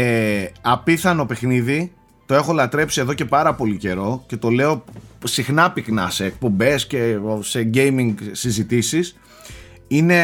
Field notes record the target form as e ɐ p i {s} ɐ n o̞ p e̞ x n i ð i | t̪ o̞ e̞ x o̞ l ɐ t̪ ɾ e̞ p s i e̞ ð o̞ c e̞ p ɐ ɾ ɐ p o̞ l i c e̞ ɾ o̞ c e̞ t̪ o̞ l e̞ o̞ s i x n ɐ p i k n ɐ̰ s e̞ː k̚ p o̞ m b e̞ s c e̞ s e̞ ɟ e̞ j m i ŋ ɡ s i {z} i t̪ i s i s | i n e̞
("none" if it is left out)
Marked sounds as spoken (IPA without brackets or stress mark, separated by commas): θ, z